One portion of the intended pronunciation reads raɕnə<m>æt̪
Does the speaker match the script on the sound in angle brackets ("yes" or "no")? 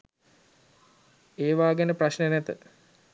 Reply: no